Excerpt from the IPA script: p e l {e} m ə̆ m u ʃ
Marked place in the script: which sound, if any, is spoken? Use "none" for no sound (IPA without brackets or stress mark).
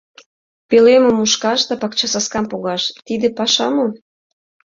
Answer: e